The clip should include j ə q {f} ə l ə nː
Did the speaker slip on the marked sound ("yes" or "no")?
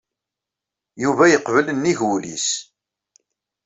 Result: yes